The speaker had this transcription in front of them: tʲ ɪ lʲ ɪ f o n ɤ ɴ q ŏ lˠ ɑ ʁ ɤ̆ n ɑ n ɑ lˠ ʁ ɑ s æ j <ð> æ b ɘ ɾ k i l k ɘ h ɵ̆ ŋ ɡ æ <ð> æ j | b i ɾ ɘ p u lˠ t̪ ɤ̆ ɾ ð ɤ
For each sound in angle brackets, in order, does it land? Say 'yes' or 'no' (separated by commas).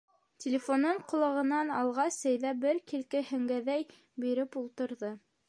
yes, yes